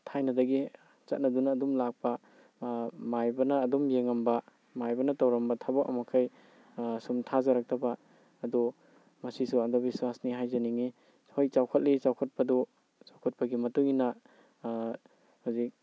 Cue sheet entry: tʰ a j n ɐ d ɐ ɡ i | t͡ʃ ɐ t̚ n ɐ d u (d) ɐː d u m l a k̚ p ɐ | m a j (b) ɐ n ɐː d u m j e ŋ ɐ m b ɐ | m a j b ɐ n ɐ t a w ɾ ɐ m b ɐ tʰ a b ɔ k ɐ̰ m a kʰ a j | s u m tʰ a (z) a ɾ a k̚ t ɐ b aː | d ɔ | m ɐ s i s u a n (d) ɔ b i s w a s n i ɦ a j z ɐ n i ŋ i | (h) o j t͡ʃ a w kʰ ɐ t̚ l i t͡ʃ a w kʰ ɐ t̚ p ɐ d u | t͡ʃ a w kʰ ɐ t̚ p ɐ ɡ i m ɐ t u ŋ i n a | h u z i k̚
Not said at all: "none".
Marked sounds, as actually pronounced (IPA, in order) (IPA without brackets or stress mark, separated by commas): n, b, z, d, h